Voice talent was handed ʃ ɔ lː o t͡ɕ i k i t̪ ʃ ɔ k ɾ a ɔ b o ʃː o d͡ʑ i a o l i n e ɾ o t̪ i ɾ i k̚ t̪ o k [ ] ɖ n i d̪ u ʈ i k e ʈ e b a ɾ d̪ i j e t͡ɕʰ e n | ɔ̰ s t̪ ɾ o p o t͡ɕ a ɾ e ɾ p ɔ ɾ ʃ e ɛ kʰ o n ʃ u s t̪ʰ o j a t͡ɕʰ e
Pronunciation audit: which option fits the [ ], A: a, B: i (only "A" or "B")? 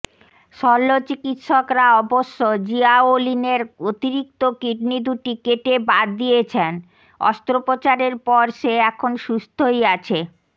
B